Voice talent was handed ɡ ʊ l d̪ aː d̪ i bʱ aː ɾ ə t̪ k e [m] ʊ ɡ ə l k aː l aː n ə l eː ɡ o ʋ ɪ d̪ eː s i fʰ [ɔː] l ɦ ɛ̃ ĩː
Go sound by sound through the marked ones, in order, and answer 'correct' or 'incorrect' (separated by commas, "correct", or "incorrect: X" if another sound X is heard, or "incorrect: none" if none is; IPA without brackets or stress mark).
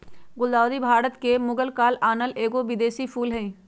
correct, incorrect: uː